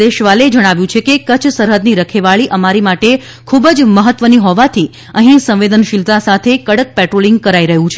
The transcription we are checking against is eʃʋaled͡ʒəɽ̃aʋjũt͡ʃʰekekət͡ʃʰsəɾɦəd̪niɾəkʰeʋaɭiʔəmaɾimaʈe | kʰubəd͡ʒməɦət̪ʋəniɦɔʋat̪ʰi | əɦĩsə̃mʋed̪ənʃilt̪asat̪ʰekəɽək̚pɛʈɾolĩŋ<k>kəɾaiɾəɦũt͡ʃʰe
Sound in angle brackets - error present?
yes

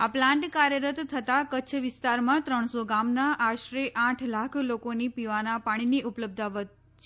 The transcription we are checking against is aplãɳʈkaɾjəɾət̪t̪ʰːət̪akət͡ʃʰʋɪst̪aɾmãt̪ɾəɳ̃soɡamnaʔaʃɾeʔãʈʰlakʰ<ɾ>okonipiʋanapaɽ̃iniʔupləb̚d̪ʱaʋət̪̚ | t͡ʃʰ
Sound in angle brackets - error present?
yes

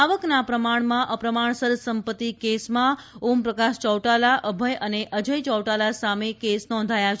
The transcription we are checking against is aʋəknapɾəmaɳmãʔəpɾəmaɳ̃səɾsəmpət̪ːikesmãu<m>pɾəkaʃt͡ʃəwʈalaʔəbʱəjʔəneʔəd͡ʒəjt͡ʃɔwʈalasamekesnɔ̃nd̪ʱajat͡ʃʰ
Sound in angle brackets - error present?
no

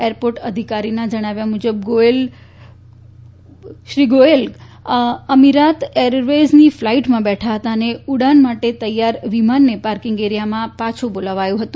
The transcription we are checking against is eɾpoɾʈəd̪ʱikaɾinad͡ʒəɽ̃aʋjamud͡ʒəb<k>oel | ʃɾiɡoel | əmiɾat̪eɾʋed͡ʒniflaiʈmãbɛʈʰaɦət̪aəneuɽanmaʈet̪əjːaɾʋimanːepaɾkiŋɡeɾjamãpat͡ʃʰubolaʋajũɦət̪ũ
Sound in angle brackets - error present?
yes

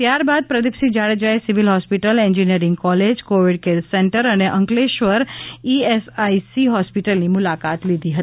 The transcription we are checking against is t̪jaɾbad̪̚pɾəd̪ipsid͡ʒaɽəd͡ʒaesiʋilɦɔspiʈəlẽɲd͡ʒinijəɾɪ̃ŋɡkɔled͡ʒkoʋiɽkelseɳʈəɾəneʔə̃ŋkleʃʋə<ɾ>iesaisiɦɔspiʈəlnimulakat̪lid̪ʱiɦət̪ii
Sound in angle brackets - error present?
no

